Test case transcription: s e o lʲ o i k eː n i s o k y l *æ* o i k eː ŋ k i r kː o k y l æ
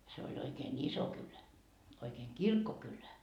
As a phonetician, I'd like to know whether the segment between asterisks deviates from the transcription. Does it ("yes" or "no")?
no